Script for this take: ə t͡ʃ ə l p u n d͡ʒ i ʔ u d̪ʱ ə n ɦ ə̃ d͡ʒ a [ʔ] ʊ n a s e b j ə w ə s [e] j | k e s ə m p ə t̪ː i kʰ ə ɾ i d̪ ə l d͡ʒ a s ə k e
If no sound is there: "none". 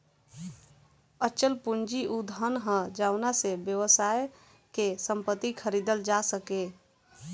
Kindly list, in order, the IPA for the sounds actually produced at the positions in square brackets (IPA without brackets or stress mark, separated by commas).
none, a